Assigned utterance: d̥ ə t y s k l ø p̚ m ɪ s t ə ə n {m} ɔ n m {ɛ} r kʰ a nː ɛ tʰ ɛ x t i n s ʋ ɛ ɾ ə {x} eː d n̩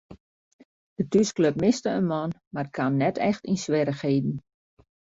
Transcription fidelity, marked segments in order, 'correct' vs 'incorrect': correct, incorrect, correct

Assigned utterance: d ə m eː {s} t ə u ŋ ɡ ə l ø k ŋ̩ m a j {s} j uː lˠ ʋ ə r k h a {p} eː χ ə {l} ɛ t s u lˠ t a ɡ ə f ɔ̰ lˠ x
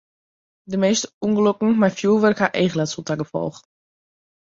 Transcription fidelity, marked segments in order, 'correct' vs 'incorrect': correct, incorrect, incorrect, correct

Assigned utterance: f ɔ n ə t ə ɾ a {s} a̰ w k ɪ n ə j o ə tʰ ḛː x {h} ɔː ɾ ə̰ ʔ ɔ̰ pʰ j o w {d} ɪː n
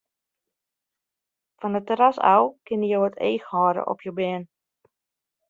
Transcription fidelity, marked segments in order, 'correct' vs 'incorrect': correct, correct, incorrect

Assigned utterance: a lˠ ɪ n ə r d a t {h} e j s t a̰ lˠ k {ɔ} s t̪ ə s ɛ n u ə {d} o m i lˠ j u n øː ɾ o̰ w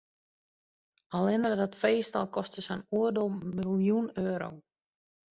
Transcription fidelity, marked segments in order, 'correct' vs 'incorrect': incorrect, correct, correct

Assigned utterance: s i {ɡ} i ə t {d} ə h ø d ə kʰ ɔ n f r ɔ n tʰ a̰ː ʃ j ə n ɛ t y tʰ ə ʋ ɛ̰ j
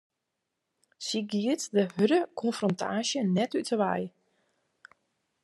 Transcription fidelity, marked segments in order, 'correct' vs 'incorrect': correct, correct

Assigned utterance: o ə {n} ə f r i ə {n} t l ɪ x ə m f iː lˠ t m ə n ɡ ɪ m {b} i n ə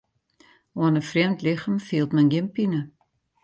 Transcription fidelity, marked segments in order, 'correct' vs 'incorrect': correct, incorrect, incorrect

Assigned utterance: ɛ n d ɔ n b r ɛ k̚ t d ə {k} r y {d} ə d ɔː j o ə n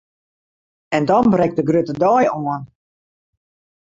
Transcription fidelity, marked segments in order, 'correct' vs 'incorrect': incorrect, incorrect

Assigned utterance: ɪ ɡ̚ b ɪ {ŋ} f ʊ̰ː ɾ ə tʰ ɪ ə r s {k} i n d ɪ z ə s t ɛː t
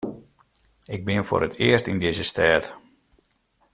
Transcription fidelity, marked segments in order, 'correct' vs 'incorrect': incorrect, incorrect

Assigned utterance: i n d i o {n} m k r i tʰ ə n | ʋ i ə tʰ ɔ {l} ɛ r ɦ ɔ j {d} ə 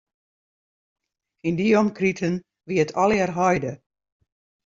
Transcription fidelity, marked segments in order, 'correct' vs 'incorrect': incorrect, correct, correct

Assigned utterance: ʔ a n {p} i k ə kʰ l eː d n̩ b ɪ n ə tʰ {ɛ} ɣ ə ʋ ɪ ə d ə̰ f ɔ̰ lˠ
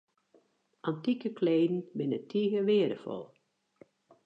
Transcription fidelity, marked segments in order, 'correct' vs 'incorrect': incorrect, incorrect

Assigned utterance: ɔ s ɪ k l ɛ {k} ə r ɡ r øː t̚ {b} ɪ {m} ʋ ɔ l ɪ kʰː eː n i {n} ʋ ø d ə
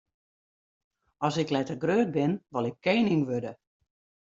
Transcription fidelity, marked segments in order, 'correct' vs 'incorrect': incorrect, correct, incorrect, incorrect

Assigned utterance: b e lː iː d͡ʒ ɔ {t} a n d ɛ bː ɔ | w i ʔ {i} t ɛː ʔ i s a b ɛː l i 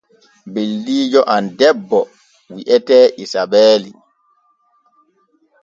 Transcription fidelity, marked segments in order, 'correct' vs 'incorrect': incorrect, incorrect

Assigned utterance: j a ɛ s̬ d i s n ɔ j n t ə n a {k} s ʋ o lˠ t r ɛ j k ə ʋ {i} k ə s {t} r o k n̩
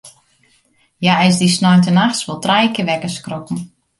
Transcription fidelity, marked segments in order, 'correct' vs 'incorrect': incorrect, incorrect, incorrect

